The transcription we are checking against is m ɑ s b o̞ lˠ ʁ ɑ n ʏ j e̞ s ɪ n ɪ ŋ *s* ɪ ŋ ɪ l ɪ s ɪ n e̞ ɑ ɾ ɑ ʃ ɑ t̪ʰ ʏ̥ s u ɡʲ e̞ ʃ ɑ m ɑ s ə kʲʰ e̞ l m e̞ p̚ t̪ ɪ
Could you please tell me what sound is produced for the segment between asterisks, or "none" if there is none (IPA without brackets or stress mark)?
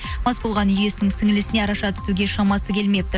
s